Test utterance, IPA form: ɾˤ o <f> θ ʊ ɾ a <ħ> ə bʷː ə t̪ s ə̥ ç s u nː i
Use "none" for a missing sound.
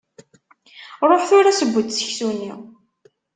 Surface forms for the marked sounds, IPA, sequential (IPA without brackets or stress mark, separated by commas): ħ, s